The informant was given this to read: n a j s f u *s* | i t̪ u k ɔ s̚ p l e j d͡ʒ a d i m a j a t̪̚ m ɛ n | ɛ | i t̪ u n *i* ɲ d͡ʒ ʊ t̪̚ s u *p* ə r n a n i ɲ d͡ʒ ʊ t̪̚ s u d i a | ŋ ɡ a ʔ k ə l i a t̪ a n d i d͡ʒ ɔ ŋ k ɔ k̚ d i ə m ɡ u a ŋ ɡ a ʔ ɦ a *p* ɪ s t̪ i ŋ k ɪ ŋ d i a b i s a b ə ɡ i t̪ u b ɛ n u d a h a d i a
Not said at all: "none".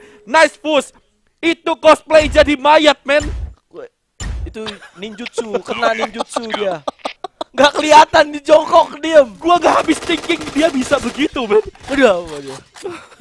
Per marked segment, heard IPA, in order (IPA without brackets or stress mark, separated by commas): s, i, k, b